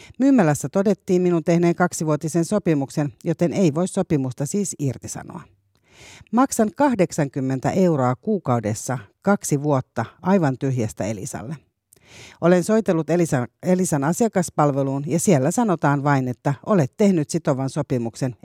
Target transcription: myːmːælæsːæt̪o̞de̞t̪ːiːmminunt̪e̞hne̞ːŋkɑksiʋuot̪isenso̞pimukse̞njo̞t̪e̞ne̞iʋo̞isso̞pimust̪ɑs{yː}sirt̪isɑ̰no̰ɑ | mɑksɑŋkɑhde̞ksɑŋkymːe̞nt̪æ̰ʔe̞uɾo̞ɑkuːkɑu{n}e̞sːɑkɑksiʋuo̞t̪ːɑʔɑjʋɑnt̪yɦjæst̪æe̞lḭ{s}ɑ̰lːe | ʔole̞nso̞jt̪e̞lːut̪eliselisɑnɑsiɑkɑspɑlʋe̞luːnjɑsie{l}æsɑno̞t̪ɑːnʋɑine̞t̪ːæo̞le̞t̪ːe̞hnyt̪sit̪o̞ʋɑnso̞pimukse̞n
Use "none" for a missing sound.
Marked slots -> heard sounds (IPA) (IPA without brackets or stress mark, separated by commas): iː, d, s, lː